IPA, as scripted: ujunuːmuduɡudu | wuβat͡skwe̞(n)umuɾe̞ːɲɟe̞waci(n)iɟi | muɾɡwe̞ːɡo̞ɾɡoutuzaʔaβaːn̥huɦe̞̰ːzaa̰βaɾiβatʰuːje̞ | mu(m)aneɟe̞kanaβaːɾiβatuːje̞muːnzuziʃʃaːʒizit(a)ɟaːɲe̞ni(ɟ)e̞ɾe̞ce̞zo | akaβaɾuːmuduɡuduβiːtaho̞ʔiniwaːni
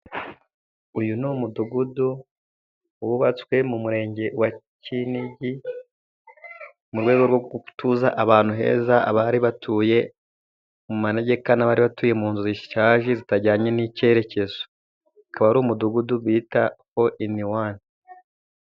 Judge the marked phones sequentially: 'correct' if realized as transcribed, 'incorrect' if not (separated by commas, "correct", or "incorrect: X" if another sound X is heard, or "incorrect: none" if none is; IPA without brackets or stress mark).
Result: incorrect: m, correct, correct, correct, incorrect: c